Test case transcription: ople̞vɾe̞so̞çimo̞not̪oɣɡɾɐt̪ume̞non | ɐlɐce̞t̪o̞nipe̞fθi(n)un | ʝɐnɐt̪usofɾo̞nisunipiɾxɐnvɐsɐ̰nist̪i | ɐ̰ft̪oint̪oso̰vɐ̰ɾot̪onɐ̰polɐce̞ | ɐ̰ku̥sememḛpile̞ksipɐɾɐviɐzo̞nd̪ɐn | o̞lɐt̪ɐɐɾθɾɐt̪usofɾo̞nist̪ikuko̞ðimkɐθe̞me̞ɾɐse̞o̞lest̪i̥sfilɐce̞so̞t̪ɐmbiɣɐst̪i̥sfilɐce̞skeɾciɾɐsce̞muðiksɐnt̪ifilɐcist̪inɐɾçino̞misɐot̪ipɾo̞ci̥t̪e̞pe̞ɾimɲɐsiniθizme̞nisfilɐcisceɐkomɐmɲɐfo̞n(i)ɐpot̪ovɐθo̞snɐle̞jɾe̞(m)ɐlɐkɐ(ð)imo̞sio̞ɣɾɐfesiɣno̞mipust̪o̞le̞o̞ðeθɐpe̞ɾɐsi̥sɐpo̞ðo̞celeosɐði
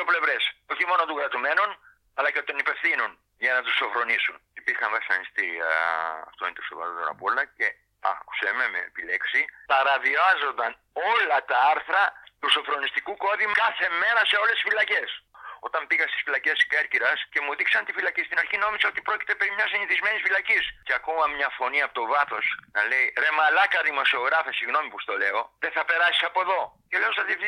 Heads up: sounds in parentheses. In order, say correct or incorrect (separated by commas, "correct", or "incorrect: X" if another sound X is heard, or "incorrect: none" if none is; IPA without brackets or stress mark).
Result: correct, correct, correct, correct